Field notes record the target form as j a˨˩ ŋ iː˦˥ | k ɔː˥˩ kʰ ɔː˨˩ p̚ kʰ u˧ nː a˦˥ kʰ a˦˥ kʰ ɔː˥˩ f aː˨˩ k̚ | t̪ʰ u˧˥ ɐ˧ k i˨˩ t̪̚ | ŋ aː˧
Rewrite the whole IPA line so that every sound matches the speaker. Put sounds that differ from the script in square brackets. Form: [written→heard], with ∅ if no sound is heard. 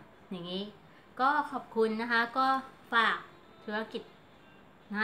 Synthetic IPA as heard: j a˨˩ ŋ iː˦˥ | k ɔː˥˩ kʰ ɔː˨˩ p̚ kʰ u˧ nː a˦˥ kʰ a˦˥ [kʰ→k] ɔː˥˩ f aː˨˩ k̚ | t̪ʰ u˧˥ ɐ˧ k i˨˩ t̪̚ | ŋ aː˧